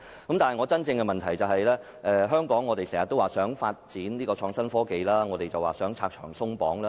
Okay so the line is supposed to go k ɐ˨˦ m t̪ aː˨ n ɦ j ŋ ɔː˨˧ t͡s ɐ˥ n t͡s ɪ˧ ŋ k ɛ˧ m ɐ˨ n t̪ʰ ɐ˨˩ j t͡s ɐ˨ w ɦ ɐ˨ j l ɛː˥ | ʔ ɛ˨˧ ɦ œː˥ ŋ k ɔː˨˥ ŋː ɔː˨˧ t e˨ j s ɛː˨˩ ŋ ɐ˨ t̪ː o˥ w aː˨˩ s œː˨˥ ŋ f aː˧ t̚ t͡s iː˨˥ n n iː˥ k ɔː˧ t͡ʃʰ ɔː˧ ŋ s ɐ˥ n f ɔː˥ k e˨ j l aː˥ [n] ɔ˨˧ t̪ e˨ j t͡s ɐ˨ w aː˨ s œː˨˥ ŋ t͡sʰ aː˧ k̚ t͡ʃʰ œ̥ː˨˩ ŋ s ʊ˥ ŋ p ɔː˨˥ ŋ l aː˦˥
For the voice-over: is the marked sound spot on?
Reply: no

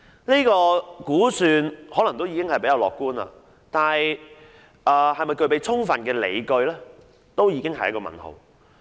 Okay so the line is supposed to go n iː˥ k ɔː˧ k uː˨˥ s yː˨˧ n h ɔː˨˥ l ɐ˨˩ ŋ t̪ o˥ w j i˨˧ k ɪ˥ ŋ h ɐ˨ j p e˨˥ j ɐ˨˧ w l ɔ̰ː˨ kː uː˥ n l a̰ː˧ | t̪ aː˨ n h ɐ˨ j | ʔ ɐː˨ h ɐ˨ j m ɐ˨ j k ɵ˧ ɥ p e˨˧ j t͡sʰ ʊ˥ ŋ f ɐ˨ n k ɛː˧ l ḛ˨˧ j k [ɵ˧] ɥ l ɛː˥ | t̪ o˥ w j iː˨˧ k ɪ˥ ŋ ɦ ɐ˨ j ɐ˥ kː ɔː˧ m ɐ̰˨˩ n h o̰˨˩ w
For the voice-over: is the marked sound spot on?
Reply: yes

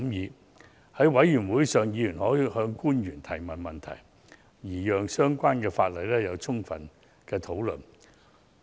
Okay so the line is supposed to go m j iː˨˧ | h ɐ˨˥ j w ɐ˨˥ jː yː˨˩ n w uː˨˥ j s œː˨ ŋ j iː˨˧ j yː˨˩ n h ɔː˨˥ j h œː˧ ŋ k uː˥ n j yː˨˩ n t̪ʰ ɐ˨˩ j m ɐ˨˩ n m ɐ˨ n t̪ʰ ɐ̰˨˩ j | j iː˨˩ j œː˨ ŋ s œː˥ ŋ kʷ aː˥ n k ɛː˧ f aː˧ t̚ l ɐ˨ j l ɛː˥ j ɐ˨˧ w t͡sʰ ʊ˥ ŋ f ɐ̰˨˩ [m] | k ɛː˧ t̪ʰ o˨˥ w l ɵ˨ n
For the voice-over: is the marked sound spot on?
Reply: no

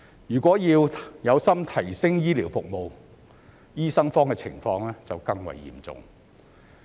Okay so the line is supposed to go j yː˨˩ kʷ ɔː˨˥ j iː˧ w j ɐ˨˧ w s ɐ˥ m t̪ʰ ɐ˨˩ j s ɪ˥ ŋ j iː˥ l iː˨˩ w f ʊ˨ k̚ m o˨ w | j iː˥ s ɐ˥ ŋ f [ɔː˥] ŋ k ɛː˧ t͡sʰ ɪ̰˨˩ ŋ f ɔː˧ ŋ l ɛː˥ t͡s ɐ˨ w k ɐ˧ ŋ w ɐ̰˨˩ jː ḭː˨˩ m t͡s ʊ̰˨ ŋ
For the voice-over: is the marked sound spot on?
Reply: yes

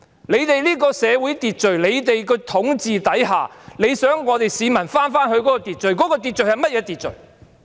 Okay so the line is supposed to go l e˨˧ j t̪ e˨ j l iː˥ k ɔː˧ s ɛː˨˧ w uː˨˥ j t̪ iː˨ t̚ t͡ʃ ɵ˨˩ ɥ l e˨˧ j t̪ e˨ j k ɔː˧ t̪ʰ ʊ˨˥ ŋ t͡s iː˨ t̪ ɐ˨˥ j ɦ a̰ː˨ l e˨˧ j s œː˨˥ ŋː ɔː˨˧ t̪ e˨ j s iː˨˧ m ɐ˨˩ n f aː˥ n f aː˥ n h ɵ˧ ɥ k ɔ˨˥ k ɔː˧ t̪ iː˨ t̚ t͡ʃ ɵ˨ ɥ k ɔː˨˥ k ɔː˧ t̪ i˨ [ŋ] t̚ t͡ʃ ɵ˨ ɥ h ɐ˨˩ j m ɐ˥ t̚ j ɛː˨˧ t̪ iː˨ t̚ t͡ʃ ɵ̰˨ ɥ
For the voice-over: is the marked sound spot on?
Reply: no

